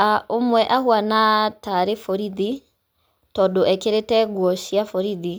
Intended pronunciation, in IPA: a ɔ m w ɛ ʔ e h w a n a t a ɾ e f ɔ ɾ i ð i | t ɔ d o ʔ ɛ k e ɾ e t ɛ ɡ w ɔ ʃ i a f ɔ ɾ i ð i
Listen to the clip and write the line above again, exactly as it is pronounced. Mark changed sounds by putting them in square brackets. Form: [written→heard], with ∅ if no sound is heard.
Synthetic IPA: a [ɔ→o] m w ɛ ʔ [e→a] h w a n a t a ɾ e f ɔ ɾ i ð i | t ɔ d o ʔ ɛ k e ɾ e t ɛ ɡ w ɔ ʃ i a f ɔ ɾ i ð i